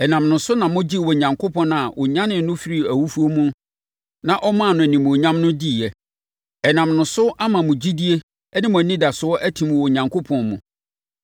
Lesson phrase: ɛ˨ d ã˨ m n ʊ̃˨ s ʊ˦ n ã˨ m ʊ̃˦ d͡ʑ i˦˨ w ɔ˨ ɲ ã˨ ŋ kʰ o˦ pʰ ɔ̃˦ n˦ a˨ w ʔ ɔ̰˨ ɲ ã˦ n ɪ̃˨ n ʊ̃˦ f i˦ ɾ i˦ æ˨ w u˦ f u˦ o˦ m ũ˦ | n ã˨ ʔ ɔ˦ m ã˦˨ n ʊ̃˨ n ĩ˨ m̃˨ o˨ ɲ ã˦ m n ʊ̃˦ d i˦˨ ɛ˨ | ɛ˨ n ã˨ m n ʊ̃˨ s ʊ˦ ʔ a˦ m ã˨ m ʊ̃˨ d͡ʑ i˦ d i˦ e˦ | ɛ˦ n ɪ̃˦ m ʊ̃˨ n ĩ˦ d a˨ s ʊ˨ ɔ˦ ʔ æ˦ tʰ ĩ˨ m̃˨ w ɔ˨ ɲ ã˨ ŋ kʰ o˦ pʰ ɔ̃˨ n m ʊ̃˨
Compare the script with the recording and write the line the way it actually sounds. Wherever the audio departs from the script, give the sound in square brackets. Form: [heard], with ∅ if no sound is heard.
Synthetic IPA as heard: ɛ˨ [n] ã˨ m n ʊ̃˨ s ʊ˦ n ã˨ m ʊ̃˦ d͡ʑ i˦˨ w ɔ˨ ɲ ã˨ ŋ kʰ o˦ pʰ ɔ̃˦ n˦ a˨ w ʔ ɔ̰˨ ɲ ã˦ n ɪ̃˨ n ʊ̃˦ f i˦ ɾ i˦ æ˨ w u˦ f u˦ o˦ m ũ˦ | n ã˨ ʔ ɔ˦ m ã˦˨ n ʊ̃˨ n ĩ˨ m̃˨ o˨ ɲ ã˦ m n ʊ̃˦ d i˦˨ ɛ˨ | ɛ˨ n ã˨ m n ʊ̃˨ s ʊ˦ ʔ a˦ m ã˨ m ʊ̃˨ d͡ʑ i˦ d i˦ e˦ | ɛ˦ n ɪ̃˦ m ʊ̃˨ n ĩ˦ d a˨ s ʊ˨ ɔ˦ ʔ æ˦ tʰ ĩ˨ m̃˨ w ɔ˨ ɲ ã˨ ŋ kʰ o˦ pʰ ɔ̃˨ n m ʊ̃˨